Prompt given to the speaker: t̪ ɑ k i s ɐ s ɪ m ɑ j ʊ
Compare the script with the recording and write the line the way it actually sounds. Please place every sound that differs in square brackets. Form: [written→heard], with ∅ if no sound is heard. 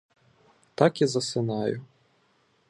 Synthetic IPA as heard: t̪ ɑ k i [s→z] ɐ s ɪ [m→n] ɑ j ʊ